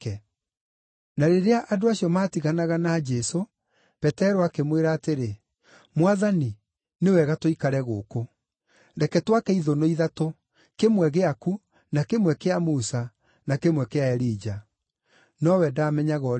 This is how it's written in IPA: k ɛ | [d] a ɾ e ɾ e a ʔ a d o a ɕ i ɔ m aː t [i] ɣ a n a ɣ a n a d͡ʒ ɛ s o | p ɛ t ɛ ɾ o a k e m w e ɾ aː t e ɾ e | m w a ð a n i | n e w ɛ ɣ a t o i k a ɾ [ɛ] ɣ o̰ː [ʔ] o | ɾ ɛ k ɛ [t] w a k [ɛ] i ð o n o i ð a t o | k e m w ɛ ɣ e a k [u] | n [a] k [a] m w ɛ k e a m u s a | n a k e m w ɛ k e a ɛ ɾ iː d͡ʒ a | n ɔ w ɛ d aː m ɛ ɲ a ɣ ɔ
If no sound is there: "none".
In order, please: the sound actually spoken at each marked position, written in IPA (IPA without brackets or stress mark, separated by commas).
n, i, ɛ, k, t, ɛ, u, a, e